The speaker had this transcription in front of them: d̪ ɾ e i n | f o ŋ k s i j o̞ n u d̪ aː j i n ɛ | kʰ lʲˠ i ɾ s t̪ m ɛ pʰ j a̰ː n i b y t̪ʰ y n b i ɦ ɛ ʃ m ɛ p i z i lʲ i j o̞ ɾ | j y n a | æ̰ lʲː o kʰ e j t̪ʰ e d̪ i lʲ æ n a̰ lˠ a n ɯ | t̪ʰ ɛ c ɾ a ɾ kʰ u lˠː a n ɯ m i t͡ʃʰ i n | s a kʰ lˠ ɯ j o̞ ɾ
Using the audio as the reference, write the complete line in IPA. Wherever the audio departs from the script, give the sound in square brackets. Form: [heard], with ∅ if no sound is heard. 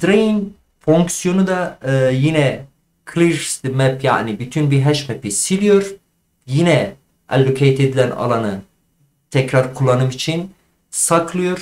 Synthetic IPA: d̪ ɾ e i n | f o ŋ k s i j o̞ n u d̪ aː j i n ɛ | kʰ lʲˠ i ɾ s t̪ m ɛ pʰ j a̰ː n i b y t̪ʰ y n b i ɦ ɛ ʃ m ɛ p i [s] i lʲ i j o̞ ɾ | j [i] n [ɛ] | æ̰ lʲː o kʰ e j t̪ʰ e d̪ i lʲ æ n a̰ lˠ a n ɯ | t̪ʰ ɛ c ɾ a ɾ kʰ u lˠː a n ɯ m i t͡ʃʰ i n | s a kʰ lˠ ɯ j o̞ ɾ

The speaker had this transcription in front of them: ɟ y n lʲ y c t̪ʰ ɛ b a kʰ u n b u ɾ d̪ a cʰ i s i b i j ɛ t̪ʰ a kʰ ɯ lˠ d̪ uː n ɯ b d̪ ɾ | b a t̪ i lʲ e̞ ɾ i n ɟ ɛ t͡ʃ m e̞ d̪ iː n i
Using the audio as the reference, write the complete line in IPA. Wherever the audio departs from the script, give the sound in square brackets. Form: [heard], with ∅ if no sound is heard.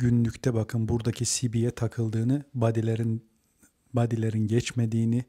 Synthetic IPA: ɟ y n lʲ y c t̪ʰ ɛ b a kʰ [ɯ] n b u ɾ d̪ a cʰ i s i b i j ɛ t̪ʰ a kʰ ɯ lˠ d̪ [ɯː] n ɯ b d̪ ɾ | b a [d̪] i lʲ e̞ ɾ i n ɟ ɛ t͡ʃ m e̞ d̪ iː n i

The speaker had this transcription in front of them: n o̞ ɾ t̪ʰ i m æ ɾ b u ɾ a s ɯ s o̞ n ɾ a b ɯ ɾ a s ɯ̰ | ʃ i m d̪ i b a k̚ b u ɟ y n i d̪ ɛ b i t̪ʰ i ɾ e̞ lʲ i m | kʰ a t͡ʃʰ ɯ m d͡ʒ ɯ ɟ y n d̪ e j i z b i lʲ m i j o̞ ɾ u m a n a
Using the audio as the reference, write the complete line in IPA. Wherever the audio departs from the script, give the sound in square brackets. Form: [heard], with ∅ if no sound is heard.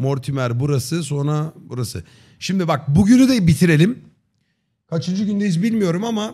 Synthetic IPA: [m] o̞ ɾ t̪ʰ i m æ ɾ b u ɾ a s ɯ s o̞ n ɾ a b [u] ɾ a s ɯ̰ | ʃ i m d̪ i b a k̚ b u ɟ y n [y] d̪ ɛ b i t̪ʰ i ɾ e̞ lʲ i m | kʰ a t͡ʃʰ ɯ [n] d͡ʒ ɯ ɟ y n d̪ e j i z b i lʲ m i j o̞ ɾ u m a [m] a

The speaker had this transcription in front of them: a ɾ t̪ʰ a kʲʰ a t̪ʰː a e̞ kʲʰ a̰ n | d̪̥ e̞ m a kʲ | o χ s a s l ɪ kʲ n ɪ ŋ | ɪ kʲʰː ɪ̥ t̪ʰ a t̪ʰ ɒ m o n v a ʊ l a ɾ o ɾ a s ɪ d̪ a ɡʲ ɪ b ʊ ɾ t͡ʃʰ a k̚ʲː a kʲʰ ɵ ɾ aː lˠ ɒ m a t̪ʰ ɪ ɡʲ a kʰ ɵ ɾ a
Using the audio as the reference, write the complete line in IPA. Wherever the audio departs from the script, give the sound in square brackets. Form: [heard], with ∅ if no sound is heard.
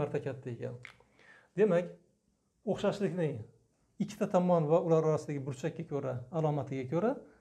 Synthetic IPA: a ɾ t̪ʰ a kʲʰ a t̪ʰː a e̞ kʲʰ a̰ n | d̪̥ e̞ m a kʲ | o χ [ʃ] a [ʃ] l ɪ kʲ n ɪ ŋ | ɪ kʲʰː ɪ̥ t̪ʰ a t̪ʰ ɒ m [ɒ] n v a ʊ l a ɾ [ɒ] ɾ a s ɪ d̪ a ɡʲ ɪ b ʊ ɾ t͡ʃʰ a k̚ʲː a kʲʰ ɵ ɾ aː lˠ ɒ m a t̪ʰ ɪ ɡʲ a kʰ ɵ ɾ a

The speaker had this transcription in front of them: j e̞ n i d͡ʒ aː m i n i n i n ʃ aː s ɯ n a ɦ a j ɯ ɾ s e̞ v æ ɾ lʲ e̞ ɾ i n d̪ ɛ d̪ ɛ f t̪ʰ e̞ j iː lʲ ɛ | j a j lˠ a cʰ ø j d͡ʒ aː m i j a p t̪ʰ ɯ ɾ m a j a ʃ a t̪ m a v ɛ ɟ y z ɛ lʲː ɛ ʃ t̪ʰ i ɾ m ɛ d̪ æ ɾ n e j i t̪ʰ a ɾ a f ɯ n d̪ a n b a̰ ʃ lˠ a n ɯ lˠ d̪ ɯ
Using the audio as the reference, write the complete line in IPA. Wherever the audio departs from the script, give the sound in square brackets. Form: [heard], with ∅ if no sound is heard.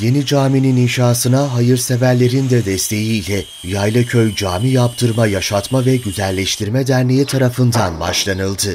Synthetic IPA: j e̞ n i d͡ʒ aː m i n i n i n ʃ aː s ɯ n a ɦ a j ɯ ɾ s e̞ v æ ɾ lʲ e̞ ɾ i n d̪ ɛ d̪ ɛ [s] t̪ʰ e̞ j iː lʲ ɛ | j a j lˠ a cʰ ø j d͡ʒ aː m i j a p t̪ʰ ɯ ɾ m a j a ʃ a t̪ m a v ɛ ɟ y z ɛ lʲː ɛ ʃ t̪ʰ i ɾ m ɛ d̪ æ ɾ n e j i t̪ʰ a ɾ a f ɯ n d̪ a n b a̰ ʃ lˠ a n ɯ lˠ d̪ ɯ

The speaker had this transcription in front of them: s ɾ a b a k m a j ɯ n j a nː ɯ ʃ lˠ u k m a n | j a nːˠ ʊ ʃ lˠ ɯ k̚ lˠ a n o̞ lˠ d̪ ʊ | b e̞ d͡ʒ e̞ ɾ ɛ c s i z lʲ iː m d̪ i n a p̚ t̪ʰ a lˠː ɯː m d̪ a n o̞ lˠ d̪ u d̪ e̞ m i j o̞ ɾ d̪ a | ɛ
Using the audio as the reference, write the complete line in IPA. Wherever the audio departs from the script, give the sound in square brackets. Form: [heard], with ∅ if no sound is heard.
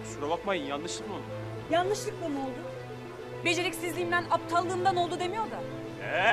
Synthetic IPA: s ɾ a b a k m a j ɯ n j a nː ɯ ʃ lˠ [ɯ] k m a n | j a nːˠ [ɯ] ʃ lˠ ɯ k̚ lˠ a n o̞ lˠ d̪ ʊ | b e̞ d͡ʒ e̞ ɾ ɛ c s i z lʲ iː m d̪ [æ] n a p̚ t̪ʰ a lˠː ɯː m d̪ a n o̞ lˠ d̪ u d̪ e̞ m i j o̞ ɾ d̪ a | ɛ

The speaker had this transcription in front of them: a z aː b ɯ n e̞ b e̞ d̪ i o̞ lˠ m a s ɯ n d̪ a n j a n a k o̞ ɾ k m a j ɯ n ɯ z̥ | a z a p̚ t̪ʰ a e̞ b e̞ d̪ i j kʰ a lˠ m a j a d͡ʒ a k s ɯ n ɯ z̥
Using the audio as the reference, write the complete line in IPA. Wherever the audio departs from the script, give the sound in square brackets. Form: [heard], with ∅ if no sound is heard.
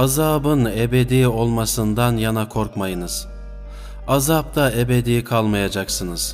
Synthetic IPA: a z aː b ɯ n e̞ b e̞ d̪ i o̞ lˠ m a s ɯ n d̪ a n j a n a [kʰ] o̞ ɾ k m a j ɯ n ɯ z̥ | a z a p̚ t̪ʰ a e̞ b e̞ d̪ i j kʰ a lˠ m a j a d͡ʒ a k s ɯ n ɯ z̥

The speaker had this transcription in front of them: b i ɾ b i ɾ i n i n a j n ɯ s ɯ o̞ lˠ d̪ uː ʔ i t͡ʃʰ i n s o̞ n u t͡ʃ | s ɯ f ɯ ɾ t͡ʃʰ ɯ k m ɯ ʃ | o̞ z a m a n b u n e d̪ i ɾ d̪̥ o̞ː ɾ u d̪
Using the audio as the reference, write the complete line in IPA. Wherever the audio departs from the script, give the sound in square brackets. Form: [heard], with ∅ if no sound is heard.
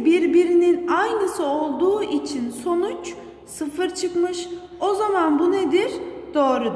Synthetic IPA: b i ɾ b i ɾ i n i n a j n ɯ s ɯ o̞ lˠ d̪ uː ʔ i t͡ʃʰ i n s o̞ n u t͡ʃ | s ɯ f ɯ ɾ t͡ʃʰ ɯ k m ɯ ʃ | o̞ z a m a n b u n e d̪ i ɾ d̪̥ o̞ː ɾ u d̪

